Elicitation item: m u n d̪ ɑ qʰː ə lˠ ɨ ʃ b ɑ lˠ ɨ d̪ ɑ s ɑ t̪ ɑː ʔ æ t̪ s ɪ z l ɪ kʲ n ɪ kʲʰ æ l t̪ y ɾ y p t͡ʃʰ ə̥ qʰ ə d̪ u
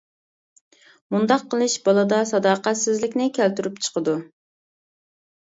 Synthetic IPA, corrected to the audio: m u n d̪ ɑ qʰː ə lˠ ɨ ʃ b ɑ lˠ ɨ d̪ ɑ s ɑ d̪ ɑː q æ t̪ s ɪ z l ɪ kʲ n ɪ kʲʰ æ l t̪ y ɾ y p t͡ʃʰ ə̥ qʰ ə d̪ u